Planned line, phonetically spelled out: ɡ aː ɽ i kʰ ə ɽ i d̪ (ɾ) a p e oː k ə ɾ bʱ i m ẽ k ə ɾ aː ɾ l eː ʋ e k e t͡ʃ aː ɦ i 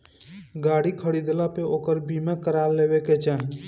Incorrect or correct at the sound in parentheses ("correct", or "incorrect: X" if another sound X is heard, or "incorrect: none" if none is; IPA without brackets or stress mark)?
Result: incorrect: l